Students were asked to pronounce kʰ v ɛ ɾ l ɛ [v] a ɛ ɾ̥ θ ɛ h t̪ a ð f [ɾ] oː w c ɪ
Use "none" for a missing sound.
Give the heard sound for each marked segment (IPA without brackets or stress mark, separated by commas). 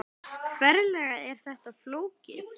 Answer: ɣ, l